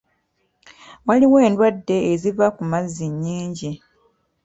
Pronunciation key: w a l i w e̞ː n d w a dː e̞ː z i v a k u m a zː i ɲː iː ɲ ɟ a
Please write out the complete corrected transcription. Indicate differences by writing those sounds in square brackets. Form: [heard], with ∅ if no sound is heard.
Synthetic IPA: w a l i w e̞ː n d w a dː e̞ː z i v a k u m a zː i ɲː iː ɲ ɟ [i]